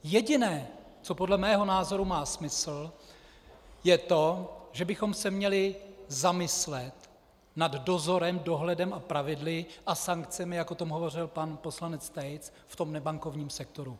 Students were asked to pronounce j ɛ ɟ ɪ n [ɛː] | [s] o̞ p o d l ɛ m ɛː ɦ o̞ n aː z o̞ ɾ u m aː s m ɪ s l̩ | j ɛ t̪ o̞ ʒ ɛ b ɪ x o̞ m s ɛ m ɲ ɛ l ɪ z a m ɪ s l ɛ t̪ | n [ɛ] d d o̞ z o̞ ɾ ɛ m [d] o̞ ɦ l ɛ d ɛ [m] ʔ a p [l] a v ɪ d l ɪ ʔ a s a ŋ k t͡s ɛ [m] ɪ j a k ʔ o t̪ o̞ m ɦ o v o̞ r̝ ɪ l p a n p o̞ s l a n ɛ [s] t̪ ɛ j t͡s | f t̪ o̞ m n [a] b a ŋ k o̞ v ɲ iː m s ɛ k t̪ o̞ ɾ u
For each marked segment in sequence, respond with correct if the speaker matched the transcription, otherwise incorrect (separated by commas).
correct, incorrect, incorrect, correct, correct, incorrect, correct, incorrect, incorrect